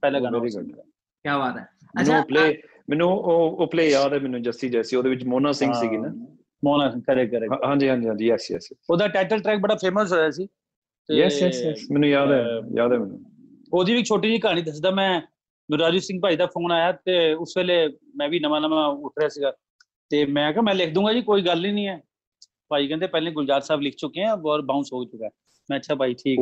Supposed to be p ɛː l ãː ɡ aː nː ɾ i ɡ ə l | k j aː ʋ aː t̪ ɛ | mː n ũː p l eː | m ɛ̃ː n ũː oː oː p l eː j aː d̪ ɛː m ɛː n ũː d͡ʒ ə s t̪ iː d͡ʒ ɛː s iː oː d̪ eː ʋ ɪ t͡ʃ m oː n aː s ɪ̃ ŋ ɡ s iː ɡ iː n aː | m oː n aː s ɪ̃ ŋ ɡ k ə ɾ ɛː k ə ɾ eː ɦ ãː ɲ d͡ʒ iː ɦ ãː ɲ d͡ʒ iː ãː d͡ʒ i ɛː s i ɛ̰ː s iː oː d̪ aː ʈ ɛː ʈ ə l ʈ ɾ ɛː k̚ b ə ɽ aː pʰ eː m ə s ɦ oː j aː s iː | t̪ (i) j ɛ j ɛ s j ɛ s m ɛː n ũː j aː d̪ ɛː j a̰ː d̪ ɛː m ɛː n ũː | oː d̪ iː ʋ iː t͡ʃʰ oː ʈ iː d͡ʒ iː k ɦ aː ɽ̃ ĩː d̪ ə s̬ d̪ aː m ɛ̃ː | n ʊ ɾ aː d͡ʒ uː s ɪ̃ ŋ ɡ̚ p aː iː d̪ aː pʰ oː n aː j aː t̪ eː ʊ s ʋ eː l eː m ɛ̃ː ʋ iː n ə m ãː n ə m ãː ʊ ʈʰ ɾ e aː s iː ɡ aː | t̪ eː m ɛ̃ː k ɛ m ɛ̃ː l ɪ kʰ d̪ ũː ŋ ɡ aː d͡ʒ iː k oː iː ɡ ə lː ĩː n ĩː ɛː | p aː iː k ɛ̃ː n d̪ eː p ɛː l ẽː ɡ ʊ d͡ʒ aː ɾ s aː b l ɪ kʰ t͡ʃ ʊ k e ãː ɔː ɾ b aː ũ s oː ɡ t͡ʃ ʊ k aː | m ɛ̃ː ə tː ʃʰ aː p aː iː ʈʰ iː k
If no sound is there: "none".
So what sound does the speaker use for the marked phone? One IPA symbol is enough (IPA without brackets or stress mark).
e